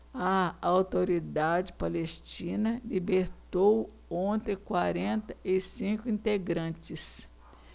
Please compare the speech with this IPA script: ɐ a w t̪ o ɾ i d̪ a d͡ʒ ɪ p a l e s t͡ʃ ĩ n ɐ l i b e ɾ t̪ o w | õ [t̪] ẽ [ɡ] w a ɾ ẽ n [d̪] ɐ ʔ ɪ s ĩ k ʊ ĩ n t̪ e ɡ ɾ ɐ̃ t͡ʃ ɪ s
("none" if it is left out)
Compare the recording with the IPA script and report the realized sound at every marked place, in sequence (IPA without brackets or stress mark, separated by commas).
t̪, k, t̪